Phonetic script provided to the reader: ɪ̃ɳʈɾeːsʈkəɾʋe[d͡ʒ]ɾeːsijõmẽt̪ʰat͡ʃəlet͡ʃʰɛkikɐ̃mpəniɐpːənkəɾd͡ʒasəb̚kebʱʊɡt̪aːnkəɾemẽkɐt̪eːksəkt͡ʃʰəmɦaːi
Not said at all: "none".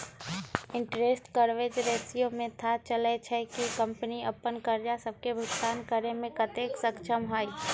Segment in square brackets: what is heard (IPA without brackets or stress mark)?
d͡ʒ